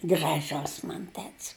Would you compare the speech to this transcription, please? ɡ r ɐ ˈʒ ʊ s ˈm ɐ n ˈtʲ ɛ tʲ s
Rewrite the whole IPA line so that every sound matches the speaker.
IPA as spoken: ɡ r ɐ ˈʒ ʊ s ˈm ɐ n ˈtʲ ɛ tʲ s